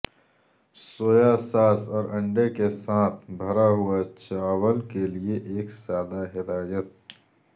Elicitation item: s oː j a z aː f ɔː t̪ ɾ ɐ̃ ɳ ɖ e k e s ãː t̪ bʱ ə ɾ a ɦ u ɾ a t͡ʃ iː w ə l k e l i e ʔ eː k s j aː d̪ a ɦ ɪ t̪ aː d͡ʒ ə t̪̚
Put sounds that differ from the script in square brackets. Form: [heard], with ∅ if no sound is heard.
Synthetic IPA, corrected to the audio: s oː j a [s] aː [s] ɔː [∅] ɾ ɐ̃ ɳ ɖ e k e s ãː [t̪ʰ] bʱ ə ɾ a ɦ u [∅] a t͡ʃ [aː] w ə l k e l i e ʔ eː k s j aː d̪ a ɦ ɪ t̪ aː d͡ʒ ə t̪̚